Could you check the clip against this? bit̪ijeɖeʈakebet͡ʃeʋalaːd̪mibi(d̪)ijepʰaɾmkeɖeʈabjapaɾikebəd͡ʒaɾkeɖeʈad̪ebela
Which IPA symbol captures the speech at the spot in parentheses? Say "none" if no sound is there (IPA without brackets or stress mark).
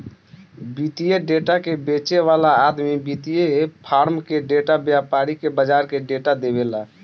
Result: t̪